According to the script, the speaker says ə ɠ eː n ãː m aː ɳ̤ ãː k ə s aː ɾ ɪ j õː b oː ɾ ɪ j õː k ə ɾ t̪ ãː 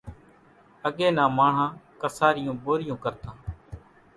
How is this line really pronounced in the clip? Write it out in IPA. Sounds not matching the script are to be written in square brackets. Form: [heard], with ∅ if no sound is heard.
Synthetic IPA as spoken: ə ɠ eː n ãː m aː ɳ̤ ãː k ə s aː ɾ ɪ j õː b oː ɾ ɪ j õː k ə ɾ t̪ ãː